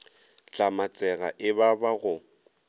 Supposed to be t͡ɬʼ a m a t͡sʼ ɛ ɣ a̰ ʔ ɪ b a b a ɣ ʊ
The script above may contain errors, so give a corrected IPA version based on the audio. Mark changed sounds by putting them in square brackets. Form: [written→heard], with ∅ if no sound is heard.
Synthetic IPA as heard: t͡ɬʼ a m a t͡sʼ ɛ ɣ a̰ ʔ ɪ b a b a ɣ ʊ